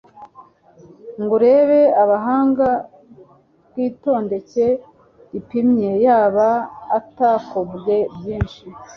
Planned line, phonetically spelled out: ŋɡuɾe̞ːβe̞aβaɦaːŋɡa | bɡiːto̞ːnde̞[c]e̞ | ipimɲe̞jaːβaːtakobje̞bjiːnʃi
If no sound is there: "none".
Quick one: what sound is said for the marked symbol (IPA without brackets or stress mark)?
c